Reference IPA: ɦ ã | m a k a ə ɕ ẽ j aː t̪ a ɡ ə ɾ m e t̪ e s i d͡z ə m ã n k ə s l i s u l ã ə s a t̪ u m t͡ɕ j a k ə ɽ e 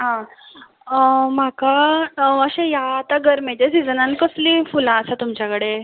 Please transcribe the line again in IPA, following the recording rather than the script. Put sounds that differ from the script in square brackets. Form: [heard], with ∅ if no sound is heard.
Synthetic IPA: ɦ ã | m a k a ə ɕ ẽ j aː t̪ a ɡ ə ɾ m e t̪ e s i d͡z ə [n] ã n k ə s l i [f] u l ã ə s a t̪ u m t͡ɕ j a k ə ɽ e